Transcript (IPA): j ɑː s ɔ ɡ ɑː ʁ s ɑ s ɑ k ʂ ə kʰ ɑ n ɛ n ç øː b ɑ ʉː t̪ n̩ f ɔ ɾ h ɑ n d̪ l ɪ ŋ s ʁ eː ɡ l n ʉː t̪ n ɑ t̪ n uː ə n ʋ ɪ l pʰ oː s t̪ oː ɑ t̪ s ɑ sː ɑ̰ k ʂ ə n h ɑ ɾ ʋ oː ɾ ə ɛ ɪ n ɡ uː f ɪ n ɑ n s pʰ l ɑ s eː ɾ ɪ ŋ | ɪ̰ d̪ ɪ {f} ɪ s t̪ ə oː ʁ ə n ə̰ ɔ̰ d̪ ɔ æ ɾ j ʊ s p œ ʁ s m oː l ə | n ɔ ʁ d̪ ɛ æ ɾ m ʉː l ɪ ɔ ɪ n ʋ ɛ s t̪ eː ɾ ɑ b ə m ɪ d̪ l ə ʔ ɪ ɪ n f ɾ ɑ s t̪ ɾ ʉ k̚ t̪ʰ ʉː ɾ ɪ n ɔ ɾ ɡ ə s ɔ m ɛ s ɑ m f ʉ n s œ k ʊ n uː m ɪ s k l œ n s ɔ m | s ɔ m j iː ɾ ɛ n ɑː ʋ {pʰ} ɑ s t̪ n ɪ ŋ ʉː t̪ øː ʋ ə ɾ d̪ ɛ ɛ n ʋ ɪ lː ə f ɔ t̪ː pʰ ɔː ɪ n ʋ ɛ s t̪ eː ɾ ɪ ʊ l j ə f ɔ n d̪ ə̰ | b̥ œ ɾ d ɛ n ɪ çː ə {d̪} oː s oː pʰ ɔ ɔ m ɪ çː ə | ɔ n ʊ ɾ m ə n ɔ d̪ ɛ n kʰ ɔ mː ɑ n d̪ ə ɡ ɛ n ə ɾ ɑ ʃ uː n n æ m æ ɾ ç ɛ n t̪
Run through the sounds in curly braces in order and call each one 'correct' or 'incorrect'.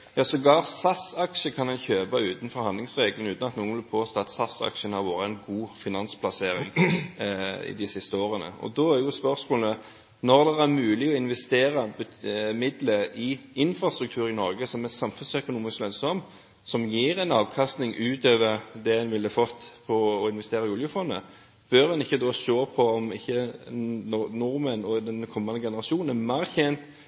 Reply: incorrect: s, incorrect: kʰ, correct

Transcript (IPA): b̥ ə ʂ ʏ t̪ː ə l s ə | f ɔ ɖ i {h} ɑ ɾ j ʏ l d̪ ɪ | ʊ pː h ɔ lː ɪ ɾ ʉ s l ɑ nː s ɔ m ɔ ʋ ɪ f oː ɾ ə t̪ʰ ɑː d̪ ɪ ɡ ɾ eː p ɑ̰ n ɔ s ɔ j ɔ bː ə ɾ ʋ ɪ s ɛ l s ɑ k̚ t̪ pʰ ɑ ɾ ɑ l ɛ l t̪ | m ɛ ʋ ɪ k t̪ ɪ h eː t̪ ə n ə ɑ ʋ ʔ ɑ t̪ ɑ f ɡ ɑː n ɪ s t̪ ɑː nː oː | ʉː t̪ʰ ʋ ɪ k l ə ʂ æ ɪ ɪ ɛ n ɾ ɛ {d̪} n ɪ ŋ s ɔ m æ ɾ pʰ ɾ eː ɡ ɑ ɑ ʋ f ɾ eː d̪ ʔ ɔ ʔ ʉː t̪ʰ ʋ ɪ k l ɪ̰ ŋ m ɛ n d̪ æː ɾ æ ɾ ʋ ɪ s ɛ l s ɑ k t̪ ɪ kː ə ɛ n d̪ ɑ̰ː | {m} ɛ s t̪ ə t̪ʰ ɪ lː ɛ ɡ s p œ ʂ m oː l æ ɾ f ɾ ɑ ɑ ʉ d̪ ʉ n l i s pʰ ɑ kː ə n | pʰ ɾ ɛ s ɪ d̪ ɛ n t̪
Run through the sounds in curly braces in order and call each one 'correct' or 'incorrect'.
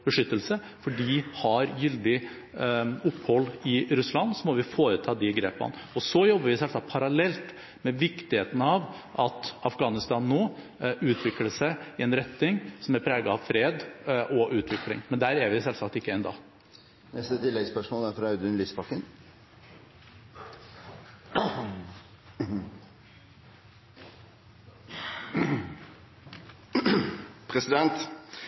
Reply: correct, incorrect: t̪, incorrect: n

